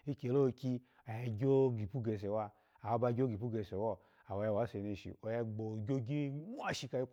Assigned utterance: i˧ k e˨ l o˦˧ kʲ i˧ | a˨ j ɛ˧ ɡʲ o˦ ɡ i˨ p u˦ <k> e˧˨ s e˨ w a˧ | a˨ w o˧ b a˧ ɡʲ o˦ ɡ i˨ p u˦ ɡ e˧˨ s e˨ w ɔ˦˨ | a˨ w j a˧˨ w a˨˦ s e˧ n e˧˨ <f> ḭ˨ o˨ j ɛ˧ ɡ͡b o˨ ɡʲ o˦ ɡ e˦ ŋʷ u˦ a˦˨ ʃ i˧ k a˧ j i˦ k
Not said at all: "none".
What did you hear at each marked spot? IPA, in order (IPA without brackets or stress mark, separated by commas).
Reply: ɡ, ʃ